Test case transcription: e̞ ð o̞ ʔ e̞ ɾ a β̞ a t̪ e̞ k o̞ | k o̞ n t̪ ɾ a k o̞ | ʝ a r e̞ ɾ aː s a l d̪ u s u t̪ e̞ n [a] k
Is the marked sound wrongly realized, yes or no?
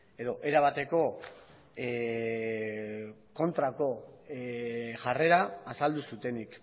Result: yes